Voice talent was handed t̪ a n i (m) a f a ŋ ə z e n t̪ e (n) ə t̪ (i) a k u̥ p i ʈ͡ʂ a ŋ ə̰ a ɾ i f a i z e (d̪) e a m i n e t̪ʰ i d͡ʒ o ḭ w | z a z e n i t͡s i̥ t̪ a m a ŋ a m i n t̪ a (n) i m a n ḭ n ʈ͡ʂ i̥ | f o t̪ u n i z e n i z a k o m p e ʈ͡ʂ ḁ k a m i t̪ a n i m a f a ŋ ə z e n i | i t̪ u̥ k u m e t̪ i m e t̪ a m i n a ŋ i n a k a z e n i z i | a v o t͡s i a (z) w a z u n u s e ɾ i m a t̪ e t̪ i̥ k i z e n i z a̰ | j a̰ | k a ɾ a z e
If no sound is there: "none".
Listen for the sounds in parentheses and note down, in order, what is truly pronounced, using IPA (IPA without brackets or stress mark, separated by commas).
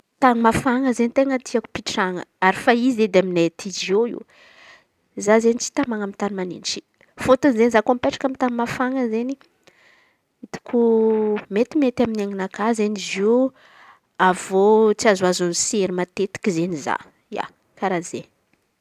m, ŋ, i, d̪, n, z